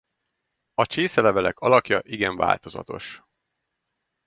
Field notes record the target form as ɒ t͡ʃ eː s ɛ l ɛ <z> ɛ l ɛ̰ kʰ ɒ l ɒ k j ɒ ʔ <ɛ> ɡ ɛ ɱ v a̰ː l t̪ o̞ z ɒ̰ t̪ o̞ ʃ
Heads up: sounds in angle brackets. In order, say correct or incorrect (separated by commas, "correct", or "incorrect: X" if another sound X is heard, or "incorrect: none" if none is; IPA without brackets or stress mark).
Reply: incorrect: v, incorrect: i